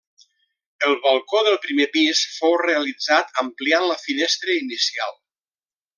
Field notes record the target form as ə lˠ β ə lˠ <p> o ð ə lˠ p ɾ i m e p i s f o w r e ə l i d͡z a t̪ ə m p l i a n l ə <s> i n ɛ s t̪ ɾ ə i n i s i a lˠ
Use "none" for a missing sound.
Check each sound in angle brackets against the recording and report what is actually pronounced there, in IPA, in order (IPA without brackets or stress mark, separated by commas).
k, f